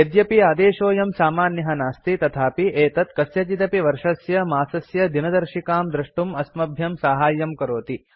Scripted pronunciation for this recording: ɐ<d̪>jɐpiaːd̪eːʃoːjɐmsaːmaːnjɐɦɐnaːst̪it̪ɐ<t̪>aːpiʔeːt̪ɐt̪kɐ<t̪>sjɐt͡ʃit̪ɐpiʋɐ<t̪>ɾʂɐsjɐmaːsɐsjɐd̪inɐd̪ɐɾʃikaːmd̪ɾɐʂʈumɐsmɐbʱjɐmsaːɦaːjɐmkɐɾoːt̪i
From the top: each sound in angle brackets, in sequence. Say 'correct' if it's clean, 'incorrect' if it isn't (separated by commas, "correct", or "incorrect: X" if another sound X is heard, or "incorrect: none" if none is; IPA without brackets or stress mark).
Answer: correct, incorrect: t̪ʰ, incorrect: none, incorrect: none